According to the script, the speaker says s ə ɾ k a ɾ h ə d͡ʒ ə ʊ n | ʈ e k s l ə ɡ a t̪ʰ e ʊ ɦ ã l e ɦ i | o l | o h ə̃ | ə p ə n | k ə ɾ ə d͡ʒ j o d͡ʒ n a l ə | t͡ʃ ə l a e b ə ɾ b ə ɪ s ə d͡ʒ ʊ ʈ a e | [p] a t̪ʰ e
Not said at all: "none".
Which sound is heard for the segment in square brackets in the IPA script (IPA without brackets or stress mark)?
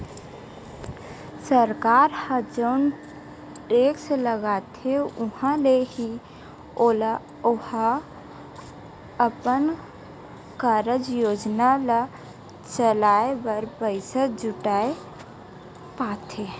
p